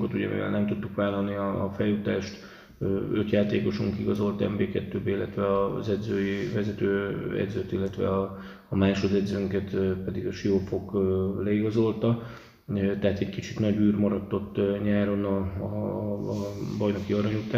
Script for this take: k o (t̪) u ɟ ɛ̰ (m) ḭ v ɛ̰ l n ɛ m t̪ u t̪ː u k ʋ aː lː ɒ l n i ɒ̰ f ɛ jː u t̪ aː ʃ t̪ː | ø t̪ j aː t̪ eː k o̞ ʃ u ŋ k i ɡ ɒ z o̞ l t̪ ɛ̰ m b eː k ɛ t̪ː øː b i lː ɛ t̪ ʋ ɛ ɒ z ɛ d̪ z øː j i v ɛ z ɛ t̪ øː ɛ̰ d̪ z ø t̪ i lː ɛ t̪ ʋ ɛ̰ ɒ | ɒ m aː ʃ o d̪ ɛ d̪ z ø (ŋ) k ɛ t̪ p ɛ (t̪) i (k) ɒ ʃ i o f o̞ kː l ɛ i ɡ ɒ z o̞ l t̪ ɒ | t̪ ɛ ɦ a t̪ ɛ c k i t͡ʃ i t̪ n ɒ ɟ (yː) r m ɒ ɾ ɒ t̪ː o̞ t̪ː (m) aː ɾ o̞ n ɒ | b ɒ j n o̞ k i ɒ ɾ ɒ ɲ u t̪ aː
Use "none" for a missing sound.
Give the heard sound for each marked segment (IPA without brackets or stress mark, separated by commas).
t̪, m, ŋ, d̪, ɡ, yː, ɲ